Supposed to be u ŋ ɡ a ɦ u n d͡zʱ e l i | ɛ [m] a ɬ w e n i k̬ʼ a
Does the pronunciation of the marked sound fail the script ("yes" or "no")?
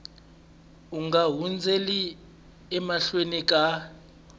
no